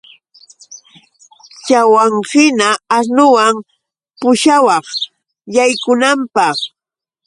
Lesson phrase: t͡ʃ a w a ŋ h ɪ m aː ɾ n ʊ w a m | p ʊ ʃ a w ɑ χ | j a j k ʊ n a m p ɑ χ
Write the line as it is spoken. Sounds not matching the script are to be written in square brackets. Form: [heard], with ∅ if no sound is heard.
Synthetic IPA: t͡ʃ a w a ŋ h ɪ [n] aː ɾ n ʊ w a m | p ʊ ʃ a w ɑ χ | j a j k ʊ n a m p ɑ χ